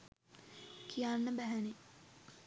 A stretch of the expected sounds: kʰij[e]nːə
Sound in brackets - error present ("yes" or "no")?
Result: yes